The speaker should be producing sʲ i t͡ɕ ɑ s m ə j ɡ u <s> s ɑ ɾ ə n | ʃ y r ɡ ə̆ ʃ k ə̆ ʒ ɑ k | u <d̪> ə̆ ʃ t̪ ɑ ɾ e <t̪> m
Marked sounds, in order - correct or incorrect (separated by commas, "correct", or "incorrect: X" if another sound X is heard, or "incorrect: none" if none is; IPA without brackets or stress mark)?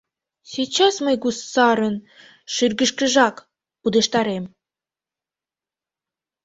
correct, correct, incorrect: none